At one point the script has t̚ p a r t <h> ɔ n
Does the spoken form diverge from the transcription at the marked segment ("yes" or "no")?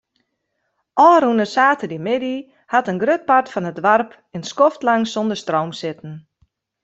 yes